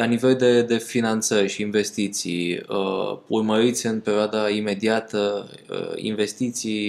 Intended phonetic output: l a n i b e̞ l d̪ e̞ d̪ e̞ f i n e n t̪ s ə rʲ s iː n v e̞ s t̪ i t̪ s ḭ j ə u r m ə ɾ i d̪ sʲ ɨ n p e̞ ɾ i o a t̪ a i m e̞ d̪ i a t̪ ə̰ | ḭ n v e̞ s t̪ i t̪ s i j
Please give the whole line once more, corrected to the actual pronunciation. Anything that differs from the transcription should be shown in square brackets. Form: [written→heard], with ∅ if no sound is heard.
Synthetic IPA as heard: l a n i [b→v] e̞ l d̪ e̞ d̪ e̞ f i n [e→a] n t̪ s ə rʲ [s→ʃ] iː n v e̞ s t̪ i t̪ s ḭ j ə u r m ə ɾ i [d̪→t̪] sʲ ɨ n p e̞ ɾ i o a [t̪→d̪] a i m e̞ d̪ i a t̪ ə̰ | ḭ n v e̞ s t̪ i t̪ s i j